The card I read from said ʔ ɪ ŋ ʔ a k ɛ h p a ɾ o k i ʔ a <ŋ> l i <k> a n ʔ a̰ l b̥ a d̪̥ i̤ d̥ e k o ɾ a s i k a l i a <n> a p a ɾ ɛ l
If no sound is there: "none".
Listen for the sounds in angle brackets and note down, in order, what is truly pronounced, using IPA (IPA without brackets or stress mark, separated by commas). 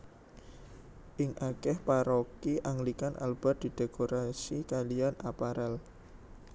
ŋ, k, n